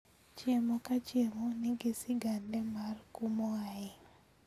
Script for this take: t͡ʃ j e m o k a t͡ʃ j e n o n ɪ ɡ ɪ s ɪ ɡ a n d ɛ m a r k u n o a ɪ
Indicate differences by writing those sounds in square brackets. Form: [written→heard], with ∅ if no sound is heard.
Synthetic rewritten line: t͡ʃ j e m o k a t͡ʃ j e [n→m] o n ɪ ɡ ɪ s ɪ ɡ a n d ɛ m a r k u [n→m] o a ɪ

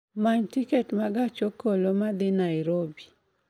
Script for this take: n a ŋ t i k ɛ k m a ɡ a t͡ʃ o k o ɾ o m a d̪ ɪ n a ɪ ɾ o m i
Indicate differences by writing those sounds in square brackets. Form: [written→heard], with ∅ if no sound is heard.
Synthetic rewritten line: [n→m] a [ŋ→ɲ] t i k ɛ [k→t] m a ɡ a t͡ʃ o k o [ɾ→l] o m a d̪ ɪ n a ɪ ɾ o [m→b] i

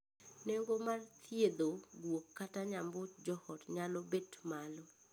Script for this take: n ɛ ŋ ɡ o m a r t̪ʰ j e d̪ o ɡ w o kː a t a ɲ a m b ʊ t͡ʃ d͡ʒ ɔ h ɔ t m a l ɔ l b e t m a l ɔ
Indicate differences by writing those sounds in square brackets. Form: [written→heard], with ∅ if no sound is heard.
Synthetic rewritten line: n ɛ ŋ ɡ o m a r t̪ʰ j e d̪ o ɡ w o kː a t a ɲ a m b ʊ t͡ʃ d͡ʒ ɔ h ɔ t [m→ɲ] a l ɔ [l→∅] b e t m a l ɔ

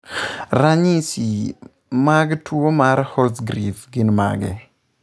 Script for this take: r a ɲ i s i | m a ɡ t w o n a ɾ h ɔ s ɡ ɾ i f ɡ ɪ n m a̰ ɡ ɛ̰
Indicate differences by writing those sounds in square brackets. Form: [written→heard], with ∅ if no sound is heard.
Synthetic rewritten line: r a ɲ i s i | m a ɡ t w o [n→m] a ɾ h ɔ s ɡ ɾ i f ɡ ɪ n m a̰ ɡ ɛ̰

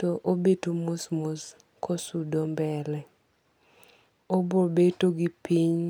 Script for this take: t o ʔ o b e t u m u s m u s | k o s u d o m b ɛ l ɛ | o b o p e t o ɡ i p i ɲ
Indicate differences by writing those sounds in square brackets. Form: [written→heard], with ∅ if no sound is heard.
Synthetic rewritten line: t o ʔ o b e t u m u s m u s | k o s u d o m b ɛ l ɛ | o b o [p→b] e t o ɡ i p i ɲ

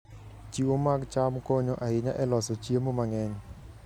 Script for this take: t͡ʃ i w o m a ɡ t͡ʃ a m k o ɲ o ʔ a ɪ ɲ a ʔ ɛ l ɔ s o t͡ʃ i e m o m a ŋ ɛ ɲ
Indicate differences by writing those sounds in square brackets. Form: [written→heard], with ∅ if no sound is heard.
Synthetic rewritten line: t͡ʃ i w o m a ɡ t͡ʃ a m k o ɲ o ʔ a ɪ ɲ a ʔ ɛ l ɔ s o t͡ʃ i e m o m a ŋ ɛ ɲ

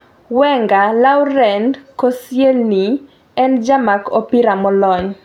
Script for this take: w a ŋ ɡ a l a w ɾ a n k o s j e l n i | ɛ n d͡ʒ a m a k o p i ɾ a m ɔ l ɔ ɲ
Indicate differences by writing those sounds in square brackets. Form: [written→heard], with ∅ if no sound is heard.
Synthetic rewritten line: w [a→ɛ] ŋ ɡ a l a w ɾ [a→ɛ] n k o s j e l n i | ɛ n d͡ʒ a m a k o p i ɾ a m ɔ l ɔ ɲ

